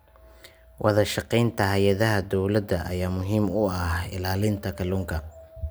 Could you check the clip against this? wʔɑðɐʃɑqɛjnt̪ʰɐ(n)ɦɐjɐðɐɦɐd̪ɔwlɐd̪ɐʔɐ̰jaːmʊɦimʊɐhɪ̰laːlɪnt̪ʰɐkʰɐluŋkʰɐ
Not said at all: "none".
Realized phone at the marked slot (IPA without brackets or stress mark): none